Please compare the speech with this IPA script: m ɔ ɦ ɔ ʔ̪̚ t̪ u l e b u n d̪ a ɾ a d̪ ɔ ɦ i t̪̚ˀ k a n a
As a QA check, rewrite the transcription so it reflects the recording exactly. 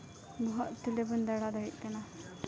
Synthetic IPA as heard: b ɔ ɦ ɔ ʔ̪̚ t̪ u l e b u n d̪ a ɽ a d̪ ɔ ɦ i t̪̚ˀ k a n a